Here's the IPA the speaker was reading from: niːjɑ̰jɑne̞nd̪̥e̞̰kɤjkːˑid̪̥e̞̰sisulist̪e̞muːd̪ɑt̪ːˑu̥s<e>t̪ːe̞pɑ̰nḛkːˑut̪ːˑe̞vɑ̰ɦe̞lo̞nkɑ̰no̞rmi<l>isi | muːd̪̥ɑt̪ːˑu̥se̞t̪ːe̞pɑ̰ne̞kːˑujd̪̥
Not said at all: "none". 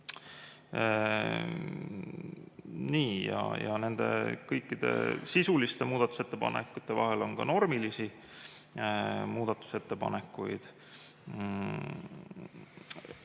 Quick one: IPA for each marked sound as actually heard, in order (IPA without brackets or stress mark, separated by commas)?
e, l